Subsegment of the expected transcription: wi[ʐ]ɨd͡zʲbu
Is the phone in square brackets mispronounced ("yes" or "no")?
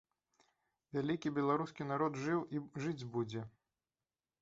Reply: no